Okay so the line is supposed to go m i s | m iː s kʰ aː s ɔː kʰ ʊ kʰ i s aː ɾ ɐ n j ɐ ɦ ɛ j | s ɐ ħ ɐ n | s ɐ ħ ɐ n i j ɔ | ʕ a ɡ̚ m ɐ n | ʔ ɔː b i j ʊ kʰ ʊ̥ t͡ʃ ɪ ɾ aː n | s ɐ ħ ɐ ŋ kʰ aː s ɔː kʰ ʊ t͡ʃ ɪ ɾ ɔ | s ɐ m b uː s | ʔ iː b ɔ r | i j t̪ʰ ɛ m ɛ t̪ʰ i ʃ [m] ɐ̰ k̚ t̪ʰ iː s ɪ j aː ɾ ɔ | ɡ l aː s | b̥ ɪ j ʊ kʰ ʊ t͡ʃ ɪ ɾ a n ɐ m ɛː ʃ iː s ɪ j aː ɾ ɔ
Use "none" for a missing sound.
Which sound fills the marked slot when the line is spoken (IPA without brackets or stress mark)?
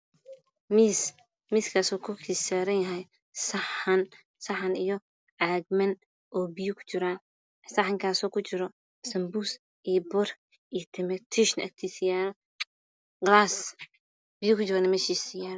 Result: n